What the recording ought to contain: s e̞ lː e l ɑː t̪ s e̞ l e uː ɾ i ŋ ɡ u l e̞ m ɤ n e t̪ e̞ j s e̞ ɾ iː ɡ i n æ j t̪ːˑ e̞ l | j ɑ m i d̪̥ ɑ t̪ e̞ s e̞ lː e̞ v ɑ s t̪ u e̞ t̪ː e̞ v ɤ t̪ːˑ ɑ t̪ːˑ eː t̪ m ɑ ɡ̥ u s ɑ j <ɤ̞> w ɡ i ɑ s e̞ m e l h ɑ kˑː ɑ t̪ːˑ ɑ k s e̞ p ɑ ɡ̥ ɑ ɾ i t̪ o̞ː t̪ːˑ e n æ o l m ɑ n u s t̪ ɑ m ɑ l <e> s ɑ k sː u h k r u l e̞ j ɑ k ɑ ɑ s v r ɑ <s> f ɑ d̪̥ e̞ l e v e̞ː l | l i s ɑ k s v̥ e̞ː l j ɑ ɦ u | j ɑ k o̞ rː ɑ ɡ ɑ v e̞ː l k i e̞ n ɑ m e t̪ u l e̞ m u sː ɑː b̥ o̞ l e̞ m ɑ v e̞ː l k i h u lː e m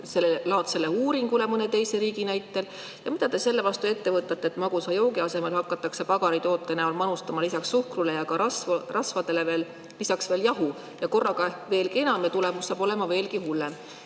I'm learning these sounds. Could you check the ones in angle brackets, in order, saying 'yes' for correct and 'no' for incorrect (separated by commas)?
no, no, yes